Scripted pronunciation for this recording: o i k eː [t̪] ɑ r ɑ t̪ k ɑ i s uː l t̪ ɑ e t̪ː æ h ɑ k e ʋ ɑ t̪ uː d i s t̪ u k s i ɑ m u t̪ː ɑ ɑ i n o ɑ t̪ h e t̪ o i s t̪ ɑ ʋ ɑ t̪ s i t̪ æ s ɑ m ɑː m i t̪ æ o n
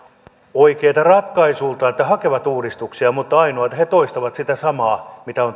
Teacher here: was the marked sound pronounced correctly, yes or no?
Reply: yes